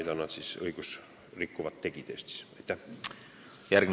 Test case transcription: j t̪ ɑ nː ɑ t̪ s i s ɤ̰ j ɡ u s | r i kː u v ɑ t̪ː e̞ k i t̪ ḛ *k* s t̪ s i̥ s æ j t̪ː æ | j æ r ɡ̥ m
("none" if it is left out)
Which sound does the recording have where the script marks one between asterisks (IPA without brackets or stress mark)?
none